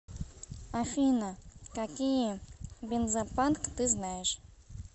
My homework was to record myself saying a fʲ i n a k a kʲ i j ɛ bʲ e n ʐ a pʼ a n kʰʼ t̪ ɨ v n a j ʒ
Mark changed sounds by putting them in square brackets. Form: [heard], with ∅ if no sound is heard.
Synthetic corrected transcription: a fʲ i n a k a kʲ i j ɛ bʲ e n [z] a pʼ a n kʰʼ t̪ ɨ [z] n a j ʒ